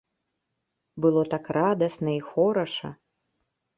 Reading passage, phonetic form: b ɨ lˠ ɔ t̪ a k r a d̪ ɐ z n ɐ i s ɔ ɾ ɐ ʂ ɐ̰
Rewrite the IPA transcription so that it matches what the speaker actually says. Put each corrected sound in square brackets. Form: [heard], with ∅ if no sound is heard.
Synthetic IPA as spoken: b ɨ lˠ ɔ t̪ a k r a d̪ ɐ [s] n ɐ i [x] ɔ ɾ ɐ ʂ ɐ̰